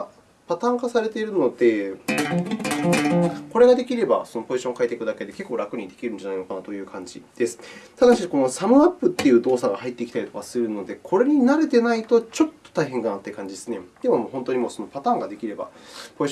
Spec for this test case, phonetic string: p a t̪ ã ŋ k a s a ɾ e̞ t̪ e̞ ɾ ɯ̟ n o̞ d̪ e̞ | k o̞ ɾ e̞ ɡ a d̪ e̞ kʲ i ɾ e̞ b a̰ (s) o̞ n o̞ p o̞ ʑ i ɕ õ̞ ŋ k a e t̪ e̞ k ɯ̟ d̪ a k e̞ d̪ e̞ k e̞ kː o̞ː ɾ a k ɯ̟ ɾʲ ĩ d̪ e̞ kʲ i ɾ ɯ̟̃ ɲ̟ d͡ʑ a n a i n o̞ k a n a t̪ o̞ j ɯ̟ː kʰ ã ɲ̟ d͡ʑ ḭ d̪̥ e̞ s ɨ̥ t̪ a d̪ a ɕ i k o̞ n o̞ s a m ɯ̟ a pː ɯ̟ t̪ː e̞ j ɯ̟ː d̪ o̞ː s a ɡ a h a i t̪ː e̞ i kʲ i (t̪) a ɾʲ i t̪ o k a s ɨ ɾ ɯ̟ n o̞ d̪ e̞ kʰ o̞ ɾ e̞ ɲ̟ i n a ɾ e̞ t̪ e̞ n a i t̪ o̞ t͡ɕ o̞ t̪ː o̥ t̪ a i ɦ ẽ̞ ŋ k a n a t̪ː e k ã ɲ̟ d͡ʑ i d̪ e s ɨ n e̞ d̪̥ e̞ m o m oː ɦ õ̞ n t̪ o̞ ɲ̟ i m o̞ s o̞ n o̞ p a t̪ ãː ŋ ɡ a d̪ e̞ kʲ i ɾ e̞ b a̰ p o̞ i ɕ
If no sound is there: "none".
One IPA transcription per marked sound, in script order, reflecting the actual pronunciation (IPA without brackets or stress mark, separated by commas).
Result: s, t̪